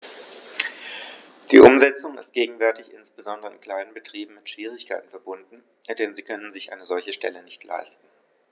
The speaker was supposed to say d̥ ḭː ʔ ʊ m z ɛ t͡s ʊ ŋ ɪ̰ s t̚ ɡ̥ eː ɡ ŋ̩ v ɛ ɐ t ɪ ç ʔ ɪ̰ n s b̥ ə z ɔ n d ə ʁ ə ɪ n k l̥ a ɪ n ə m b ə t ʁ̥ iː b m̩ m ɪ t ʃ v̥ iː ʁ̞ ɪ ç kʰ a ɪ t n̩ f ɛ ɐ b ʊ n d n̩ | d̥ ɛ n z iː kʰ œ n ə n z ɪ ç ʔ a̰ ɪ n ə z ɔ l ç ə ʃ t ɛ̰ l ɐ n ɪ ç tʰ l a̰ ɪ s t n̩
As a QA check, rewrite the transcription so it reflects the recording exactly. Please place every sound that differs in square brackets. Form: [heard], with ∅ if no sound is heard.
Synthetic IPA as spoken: d̥ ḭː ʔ ʊ m z ɛ t͡s ʊ ŋ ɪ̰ s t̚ ɡ̥ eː ɡ ŋ̩ v ɛ ɐ t ɪ ç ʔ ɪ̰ n s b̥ ə z ɔ n d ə ʁ ə ɪ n k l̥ a ɪ n ə [n] b ə t ʁ̥ iː b m̩ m ɪ t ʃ v̥ iː ʁ̞ ɪ ç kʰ a ɪ t n̩ f ɛ ɐ b ʊ n d n̩ | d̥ ɛ n z iː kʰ œ n ə n z ɪ ç ʔ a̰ ɪ n ə z ɔ l ç ə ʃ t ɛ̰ l [ə] n ɪ ç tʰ l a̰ ɪ s t n̩